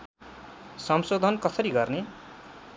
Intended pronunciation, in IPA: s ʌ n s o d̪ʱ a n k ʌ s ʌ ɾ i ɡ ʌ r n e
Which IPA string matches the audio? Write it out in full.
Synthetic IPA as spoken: s ʌ m s o d̪ʱ ʌ n k ʌ s ʌ ɾ i ɡ ʌ r n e